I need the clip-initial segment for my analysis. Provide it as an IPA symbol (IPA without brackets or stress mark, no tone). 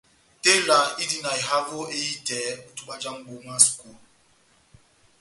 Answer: t